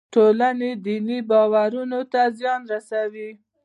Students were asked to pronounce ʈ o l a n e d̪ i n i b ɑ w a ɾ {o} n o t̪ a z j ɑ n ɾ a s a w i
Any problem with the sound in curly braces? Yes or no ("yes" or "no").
yes